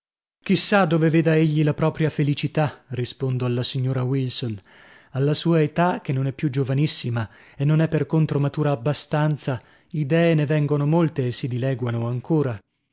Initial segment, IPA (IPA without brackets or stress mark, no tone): k̟